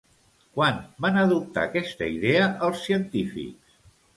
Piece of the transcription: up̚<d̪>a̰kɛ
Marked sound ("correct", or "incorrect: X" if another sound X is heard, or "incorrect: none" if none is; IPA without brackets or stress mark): incorrect: t̪